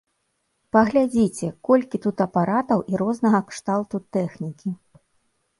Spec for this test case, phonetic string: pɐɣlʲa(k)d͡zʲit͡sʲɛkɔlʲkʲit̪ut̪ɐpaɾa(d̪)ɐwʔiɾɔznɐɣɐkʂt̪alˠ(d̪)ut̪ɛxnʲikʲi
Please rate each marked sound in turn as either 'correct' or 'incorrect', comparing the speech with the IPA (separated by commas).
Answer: incorrect, incorrect, incorrect